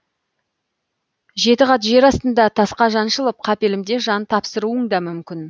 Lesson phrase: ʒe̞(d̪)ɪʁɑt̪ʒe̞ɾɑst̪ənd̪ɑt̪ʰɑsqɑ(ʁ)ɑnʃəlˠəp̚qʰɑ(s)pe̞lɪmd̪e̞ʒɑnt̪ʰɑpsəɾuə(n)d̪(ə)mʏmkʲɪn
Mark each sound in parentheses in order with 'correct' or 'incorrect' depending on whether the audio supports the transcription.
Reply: incorrect: t̪, incorrect: ʒ, incorrect: none, incorrect: ɴ, incorrect: ɑ

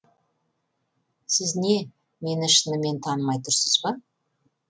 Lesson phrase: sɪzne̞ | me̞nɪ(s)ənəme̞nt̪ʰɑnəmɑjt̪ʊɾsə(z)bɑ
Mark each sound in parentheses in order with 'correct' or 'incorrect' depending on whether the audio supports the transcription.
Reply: incorrect: ʃ, correct

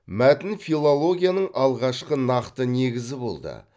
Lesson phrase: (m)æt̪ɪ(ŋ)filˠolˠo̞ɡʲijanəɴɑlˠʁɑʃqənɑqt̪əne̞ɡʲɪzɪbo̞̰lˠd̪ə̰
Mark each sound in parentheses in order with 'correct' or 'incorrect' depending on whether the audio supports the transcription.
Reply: correct, incorrect: n

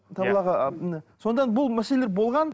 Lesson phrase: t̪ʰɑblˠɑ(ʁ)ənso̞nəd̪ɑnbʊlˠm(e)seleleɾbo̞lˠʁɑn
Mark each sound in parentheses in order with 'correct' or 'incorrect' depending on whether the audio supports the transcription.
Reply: correct, incorrect: æ

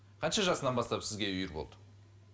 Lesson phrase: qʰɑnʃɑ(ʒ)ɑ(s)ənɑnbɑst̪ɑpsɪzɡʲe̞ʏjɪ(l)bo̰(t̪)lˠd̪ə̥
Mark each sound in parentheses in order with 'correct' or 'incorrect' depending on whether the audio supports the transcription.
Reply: correct, correct, incorrect: ɾ, incorrect: none

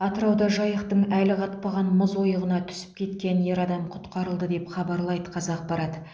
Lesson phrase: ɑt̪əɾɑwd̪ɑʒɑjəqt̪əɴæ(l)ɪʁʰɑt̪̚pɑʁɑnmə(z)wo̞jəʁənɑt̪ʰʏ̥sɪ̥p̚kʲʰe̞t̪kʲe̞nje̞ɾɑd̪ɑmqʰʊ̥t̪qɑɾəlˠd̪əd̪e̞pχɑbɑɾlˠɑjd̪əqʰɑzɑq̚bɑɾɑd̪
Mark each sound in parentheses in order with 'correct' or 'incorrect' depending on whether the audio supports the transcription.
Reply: correct, correct

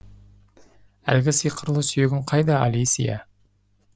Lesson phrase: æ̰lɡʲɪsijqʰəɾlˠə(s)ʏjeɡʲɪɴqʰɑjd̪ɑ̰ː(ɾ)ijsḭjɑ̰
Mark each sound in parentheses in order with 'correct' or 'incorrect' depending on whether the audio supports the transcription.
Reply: correct, incorrect: l

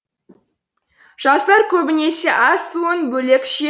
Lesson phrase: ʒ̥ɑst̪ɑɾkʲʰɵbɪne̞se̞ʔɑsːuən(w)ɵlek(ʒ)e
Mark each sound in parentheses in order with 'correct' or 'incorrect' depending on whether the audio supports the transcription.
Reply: incorrect: b, incorrect: ʃ

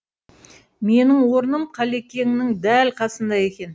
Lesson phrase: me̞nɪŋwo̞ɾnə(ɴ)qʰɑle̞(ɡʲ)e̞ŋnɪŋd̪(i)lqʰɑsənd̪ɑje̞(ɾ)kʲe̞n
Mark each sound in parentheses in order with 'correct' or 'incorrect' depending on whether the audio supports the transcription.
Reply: incorrect: m, incorrect: kʲ, incorrect: æ, incorrect: none

